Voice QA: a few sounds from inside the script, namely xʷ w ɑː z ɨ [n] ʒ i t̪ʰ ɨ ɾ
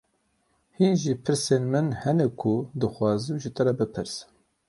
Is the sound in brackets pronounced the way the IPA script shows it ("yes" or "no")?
no